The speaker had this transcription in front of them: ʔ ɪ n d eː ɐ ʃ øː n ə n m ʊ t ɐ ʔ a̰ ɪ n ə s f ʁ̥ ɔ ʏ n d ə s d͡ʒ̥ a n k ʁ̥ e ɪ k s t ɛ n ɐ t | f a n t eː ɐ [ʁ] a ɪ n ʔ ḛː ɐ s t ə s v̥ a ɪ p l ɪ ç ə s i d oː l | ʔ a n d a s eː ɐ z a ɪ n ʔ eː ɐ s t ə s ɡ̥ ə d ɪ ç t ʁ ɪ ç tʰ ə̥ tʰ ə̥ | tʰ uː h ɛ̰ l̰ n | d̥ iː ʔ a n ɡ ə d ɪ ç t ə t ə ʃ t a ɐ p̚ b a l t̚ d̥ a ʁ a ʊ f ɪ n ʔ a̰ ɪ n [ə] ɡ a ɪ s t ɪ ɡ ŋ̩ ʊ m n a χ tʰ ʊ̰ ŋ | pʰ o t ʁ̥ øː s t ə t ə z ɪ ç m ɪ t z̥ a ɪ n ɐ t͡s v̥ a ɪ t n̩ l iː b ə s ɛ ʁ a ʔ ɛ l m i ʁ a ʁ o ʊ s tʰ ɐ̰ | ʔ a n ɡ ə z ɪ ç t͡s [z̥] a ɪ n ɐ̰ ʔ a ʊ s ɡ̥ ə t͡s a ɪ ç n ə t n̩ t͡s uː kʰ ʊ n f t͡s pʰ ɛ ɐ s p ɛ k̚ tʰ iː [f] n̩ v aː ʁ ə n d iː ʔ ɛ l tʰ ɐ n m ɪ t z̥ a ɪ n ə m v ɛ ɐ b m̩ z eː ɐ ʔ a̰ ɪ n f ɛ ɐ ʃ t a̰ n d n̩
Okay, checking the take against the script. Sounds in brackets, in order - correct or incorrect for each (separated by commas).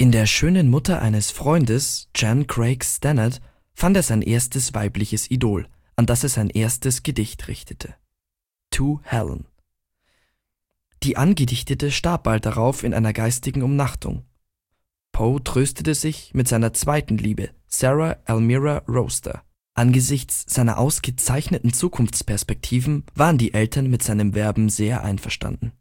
incorrect, incorrect, correct, incorrect